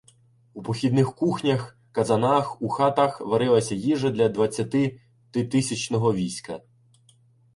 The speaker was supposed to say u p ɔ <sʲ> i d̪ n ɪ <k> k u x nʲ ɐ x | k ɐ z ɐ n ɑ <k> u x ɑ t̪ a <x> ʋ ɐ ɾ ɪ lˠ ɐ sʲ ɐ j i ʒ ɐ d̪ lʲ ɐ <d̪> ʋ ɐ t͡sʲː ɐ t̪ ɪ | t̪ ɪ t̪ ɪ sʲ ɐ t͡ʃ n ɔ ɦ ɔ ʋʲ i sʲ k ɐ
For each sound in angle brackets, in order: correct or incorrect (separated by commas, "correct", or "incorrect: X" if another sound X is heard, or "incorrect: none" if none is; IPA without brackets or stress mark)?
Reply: incorrect: xʲ, incorrect: x, incorrect: x, correct, correct